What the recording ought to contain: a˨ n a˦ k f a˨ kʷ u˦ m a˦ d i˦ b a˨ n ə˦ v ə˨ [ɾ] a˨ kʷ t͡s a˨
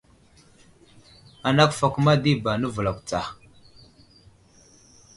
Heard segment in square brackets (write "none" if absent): l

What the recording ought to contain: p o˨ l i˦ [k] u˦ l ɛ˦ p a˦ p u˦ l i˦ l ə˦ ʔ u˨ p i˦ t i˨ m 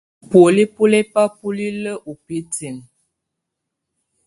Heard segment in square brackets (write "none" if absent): p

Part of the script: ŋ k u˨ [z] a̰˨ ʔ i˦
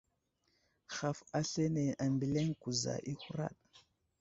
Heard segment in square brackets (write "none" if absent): z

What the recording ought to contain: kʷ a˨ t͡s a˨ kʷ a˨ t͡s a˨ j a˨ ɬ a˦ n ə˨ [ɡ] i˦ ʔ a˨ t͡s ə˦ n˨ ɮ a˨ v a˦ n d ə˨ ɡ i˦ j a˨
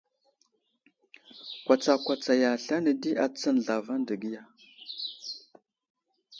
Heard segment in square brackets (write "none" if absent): d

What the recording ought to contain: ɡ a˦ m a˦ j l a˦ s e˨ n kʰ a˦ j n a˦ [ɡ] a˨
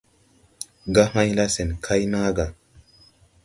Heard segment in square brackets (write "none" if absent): ɡ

